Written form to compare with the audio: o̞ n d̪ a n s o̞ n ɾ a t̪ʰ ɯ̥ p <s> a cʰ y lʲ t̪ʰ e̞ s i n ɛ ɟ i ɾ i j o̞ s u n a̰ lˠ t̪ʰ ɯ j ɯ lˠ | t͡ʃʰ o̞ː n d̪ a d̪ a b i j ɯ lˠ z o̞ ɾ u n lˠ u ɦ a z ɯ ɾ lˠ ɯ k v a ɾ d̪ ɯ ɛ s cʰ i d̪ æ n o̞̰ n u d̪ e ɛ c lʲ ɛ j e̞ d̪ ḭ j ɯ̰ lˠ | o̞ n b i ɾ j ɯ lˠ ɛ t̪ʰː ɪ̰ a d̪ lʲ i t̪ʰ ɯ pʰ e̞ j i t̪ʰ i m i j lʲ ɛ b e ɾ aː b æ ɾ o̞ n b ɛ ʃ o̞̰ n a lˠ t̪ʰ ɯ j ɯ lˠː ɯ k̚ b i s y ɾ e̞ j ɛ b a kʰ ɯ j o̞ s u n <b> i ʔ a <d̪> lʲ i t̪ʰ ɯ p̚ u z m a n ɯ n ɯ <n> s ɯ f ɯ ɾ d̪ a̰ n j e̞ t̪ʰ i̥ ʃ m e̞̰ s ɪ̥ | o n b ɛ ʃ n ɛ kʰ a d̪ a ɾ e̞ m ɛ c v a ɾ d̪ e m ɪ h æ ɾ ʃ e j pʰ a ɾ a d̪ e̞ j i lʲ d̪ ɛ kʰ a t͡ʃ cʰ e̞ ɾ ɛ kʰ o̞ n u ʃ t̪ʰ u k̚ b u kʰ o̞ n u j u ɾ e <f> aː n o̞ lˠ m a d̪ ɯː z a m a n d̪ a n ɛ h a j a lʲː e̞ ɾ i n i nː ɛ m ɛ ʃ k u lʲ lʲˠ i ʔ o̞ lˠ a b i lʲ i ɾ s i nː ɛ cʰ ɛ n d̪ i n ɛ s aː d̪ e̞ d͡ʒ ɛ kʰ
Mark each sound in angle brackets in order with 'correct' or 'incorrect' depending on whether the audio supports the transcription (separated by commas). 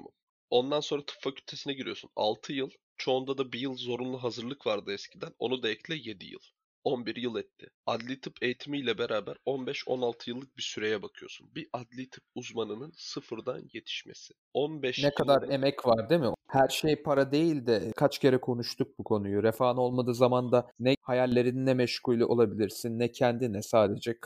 incorrect, correct, correct, correct, correct